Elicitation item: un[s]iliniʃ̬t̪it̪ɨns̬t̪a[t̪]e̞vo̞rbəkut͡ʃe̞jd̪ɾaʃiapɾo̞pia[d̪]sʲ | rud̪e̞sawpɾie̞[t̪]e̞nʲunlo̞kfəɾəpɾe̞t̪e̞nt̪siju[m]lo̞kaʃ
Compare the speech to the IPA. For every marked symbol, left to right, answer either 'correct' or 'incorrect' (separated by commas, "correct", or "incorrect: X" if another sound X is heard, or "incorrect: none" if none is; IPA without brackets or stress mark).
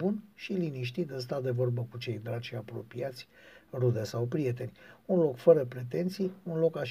incorrect: ʃ, incorrect: d̪, incorrect: t̪, correct, incorrect: n